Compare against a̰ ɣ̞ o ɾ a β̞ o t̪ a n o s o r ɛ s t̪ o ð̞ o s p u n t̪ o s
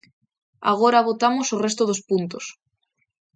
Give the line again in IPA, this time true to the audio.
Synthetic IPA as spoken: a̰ ɣ̞ o ɾ a β̞ o t̪ a m o s o r e s t̪ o ð̞ o s p u n t̪ o s